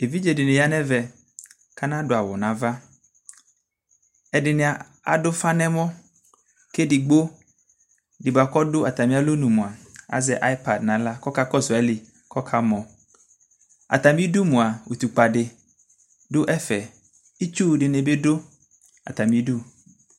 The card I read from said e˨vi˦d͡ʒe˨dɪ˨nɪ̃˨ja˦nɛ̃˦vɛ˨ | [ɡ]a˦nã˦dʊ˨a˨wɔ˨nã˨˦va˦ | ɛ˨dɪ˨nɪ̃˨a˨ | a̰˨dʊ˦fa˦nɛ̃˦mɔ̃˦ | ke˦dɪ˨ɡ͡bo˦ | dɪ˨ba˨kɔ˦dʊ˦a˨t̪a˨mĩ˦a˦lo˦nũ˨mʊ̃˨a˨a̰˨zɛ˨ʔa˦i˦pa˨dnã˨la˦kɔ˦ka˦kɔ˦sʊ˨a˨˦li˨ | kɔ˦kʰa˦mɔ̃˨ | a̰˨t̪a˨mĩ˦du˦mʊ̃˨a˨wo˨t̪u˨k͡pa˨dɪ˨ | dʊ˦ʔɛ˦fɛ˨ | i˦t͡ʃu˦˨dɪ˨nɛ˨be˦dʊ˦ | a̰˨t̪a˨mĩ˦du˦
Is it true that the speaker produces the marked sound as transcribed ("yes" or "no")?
no